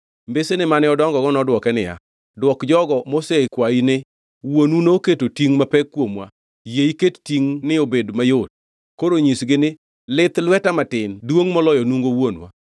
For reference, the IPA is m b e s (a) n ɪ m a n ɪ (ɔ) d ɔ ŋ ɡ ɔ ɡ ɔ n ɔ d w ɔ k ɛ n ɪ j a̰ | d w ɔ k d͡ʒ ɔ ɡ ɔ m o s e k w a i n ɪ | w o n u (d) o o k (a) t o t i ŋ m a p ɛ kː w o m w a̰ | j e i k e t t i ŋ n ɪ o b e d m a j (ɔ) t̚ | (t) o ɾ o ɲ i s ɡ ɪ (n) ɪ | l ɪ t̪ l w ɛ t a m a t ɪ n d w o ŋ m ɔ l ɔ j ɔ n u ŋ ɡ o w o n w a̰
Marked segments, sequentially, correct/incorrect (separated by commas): incorrect, correct, incorrect, incorrect, incorrect, incorrect, correct